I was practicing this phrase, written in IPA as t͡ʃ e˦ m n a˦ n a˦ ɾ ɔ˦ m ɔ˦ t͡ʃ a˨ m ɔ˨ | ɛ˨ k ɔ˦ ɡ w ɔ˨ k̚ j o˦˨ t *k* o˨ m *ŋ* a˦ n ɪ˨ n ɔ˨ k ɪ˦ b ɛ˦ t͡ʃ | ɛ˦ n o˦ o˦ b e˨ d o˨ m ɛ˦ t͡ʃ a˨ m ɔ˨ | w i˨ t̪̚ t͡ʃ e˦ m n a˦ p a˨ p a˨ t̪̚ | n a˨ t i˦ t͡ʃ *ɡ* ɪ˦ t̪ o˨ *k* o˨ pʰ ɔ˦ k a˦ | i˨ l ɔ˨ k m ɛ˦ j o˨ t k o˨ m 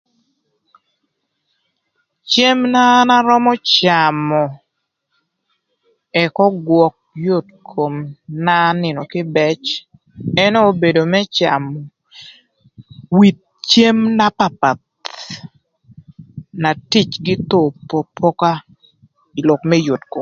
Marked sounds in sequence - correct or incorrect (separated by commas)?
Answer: incorrect, incorrect, correct, incorrect